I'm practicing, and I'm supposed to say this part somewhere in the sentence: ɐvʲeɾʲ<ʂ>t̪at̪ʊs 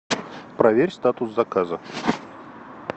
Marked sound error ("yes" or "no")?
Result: yes